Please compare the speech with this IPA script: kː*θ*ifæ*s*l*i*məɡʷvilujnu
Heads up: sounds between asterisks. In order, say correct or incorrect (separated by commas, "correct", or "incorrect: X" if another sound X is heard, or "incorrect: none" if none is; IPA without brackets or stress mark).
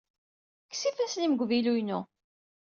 incorrect: s, correct, correct